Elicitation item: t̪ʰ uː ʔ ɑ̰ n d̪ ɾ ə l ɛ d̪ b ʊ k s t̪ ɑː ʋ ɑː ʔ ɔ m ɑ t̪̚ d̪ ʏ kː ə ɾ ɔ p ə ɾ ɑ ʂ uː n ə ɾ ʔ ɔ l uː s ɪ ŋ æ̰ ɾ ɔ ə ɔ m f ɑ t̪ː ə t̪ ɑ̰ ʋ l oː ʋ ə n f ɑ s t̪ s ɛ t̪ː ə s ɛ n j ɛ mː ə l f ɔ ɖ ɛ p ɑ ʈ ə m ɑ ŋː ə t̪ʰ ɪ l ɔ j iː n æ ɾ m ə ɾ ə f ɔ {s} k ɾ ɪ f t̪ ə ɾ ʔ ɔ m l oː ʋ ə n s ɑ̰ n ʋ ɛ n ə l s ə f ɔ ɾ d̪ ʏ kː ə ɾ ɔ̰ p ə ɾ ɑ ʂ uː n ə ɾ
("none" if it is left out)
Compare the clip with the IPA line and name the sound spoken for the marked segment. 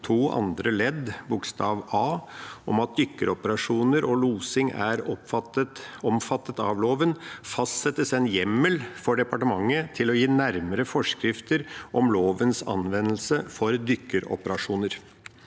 ʂ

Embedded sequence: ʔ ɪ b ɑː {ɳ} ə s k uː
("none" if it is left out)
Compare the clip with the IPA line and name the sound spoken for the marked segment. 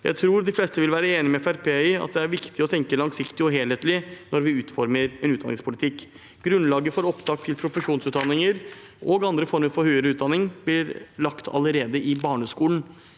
ɳ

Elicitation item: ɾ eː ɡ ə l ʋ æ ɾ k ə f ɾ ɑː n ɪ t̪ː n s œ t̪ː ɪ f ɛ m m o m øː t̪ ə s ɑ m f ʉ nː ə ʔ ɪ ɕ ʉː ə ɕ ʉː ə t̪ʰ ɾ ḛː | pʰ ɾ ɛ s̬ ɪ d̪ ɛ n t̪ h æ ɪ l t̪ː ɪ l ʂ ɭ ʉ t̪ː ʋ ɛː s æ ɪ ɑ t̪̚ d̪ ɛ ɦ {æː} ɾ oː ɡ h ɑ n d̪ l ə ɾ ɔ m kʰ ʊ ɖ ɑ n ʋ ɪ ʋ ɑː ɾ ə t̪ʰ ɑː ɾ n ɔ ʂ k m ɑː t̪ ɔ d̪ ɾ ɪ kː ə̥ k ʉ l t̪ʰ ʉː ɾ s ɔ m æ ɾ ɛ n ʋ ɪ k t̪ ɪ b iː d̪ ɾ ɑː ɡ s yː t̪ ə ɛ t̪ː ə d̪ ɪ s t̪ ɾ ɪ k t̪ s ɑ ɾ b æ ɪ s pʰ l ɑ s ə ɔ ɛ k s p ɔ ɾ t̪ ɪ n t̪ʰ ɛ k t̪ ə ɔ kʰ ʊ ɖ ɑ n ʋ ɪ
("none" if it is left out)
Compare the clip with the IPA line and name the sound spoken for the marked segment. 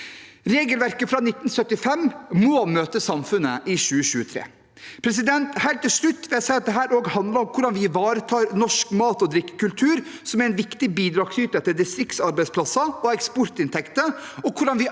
æː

